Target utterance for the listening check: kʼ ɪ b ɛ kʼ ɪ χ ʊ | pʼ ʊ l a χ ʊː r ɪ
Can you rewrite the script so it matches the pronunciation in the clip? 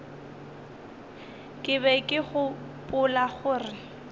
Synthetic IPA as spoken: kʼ ɪ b ɛ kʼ ɪ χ ʊ | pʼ ʊ l a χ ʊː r ɪ